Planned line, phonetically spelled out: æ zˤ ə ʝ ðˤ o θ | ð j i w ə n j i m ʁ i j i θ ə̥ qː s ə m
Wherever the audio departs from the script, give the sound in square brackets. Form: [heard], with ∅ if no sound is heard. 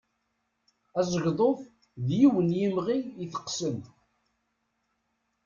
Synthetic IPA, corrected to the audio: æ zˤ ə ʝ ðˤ o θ | ð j i w ə n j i m ʁ i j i θ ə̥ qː s ə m